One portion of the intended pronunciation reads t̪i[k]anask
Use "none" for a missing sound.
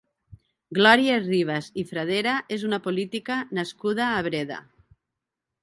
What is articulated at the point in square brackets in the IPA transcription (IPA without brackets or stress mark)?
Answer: k